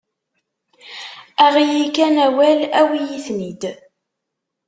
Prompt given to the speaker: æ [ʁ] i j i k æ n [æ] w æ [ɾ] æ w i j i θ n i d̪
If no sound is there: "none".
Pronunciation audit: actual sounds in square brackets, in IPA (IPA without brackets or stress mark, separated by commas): ʁ, æ, l